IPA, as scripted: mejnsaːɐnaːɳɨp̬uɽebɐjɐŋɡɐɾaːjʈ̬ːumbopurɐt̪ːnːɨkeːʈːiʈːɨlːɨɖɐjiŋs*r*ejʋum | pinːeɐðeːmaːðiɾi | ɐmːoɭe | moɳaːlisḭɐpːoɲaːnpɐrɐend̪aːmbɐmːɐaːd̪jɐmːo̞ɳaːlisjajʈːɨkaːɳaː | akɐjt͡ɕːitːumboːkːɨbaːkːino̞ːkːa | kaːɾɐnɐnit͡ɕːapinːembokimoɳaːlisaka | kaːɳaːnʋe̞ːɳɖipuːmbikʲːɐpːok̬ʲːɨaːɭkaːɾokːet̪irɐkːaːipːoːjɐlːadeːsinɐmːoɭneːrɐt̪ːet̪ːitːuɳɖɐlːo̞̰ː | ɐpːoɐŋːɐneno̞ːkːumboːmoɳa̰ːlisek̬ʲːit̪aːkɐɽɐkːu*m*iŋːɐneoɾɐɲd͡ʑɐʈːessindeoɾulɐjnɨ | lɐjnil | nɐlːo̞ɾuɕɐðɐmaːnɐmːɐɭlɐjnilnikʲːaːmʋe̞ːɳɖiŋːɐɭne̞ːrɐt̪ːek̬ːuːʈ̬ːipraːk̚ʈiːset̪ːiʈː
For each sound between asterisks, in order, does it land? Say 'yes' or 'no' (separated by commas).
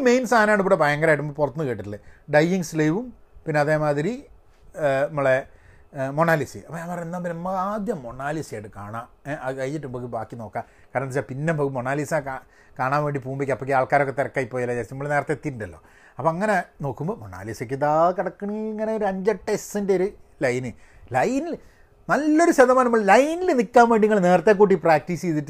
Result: no, no